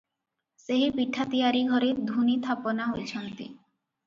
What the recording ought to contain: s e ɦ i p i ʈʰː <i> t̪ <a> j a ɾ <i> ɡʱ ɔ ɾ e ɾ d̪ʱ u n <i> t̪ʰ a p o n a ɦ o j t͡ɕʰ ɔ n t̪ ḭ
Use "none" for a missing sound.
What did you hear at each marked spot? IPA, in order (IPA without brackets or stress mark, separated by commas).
a, i, i, i